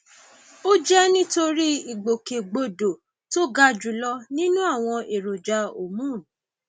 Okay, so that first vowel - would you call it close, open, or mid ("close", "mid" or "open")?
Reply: mid